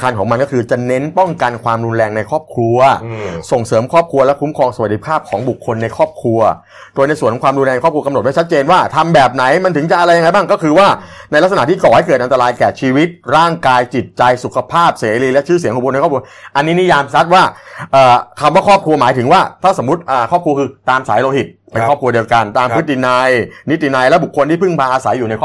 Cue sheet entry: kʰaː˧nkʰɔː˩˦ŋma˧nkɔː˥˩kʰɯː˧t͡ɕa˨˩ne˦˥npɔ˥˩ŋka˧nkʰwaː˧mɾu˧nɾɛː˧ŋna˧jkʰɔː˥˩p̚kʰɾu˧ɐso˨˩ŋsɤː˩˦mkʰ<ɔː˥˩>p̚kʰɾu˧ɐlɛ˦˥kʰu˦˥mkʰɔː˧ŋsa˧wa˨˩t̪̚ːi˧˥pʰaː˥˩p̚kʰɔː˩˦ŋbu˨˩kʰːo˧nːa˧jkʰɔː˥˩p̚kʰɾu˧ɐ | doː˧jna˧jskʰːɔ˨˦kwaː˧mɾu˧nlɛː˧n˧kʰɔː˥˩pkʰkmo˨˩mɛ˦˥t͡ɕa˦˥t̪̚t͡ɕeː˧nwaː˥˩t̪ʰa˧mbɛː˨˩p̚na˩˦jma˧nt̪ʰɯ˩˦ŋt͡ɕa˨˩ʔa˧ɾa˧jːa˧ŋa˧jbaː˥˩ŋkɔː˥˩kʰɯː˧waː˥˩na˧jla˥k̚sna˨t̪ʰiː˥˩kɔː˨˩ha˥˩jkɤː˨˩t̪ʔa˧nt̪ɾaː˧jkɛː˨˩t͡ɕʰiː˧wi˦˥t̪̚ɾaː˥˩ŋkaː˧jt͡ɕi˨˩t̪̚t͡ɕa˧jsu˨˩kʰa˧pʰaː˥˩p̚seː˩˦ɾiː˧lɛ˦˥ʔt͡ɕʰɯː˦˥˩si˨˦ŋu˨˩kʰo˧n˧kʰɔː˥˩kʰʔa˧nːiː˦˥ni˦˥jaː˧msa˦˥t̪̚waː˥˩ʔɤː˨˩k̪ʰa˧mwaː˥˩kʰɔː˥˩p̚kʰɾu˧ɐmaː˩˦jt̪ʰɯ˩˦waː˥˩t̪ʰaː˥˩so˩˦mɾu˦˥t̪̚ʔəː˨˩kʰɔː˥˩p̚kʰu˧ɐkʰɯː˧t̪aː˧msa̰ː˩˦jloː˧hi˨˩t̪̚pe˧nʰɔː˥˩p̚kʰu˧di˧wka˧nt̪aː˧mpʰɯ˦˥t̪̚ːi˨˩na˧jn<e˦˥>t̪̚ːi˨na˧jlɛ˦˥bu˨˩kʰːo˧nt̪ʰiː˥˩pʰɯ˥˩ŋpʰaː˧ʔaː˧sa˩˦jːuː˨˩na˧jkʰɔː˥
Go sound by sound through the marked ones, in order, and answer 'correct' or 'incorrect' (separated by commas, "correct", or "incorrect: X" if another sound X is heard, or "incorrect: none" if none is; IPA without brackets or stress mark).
correct, incorrect: i˦˥